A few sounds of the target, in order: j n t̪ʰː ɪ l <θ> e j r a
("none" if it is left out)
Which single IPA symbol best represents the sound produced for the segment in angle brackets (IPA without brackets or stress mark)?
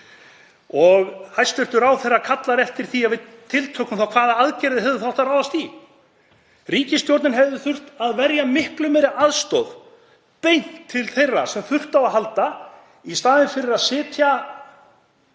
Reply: θ